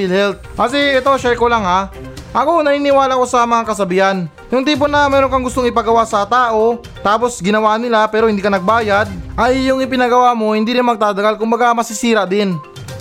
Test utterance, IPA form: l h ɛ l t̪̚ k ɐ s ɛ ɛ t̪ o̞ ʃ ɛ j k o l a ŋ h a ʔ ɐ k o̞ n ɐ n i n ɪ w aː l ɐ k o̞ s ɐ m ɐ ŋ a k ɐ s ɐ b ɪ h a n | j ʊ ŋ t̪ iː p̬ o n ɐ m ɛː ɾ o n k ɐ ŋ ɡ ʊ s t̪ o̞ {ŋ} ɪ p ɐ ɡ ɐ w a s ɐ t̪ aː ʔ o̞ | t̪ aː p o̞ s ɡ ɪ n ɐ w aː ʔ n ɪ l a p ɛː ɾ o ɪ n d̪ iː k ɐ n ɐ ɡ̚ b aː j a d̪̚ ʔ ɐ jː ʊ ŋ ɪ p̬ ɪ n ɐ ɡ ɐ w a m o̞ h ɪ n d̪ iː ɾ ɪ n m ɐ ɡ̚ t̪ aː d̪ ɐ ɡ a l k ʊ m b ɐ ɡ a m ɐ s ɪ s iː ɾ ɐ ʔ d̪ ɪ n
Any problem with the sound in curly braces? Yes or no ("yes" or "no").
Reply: no